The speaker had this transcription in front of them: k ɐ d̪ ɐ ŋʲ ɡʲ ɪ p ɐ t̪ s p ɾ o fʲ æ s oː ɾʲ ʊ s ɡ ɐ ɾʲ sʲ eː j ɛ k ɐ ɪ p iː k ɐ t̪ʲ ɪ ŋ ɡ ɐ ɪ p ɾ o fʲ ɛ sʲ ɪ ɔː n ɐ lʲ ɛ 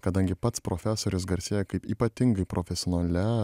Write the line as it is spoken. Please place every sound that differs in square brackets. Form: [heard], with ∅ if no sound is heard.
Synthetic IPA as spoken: k ɐ d̪ ɐ ŋʲ ɡʲ ɪ p ɐ t̪ s p ɾ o fʲ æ s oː ɾʲ ʊ s ɡ ɐ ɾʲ sʲ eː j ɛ k ɐ ɪ p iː [p] ɐ t̪ʲ ɪ ŋ ɡ ɐ ɪ p ɾ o fʲ ɛ sʲ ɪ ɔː n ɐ lʲ ɛ